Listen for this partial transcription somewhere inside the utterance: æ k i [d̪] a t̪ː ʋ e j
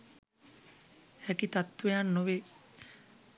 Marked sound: incorrect: t̪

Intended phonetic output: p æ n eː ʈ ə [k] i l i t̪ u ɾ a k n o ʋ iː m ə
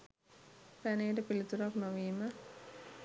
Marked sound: incorrect: p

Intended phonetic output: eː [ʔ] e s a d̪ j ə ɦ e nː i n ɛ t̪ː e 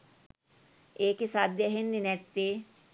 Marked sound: incorrect: k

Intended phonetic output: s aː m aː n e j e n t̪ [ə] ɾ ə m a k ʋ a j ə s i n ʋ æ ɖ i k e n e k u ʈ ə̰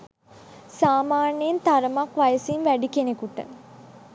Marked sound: incorrect: a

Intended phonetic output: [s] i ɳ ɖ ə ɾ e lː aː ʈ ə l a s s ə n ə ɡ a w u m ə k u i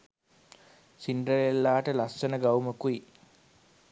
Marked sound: correct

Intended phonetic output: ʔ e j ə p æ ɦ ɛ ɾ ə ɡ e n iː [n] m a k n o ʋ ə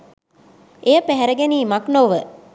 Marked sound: incorrect: none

